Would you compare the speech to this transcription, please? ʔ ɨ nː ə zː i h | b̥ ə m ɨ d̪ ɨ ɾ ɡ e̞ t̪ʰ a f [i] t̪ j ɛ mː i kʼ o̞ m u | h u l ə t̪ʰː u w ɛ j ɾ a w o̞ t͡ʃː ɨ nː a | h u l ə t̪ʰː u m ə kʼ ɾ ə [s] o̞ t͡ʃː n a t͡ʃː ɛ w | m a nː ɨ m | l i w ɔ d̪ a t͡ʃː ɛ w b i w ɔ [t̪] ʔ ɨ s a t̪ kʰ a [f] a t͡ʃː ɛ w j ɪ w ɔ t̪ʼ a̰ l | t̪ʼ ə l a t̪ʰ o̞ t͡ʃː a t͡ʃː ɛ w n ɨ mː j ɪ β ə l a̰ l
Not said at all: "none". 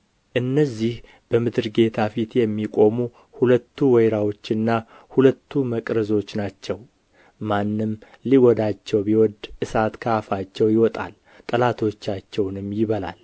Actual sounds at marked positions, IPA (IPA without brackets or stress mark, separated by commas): i, z, d̪, f